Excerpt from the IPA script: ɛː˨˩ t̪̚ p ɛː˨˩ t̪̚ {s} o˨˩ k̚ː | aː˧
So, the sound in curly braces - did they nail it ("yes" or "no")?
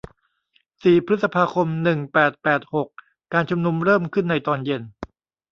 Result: no